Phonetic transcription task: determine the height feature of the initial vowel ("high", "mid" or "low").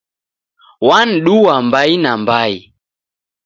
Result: low